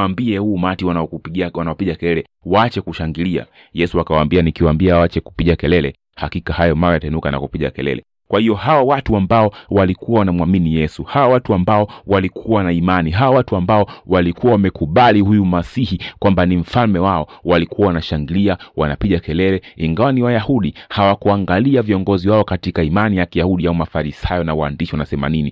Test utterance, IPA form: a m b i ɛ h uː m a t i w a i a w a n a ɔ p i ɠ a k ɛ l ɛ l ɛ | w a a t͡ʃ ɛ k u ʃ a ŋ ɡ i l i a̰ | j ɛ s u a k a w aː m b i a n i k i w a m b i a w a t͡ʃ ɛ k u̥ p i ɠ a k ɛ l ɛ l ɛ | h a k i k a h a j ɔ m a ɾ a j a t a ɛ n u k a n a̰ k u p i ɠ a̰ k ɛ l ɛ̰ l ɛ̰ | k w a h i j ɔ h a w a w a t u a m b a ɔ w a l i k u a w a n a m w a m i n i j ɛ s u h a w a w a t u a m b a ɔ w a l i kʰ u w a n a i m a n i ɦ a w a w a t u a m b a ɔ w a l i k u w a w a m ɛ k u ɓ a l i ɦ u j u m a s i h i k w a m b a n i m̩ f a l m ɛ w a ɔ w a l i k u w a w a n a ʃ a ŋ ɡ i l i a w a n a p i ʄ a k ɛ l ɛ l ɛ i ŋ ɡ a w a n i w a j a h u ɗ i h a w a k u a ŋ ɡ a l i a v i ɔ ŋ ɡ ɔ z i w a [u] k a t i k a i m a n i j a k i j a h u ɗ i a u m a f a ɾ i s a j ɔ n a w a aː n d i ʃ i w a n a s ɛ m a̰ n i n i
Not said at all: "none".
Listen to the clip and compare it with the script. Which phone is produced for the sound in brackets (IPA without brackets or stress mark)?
ɔ